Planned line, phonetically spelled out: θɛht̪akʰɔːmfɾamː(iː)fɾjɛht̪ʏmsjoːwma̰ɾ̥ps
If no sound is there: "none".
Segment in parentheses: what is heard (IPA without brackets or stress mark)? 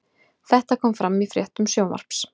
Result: i